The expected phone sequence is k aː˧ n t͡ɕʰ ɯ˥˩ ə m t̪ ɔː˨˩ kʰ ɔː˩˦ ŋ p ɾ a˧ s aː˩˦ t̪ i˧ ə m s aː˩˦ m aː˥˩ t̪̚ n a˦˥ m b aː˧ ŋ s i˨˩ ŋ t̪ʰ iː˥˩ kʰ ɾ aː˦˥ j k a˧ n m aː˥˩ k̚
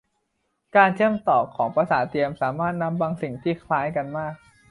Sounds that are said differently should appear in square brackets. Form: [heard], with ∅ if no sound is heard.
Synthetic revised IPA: k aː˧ n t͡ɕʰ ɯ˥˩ ə m t̪ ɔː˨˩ kʰ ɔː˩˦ ŋ p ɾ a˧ s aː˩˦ t̪ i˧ ə m s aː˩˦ m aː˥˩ t̪̚ n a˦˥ m b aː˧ ŋ s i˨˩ ŋ t̪ʰ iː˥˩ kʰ [l] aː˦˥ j k a˧ n m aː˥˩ k̚